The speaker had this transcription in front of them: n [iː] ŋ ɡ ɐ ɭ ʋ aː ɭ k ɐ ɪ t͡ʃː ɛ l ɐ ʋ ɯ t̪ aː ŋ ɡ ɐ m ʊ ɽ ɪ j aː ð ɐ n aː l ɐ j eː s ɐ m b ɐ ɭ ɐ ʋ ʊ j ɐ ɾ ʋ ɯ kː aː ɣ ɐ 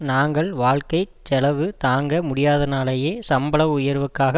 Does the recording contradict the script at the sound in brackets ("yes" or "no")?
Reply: yes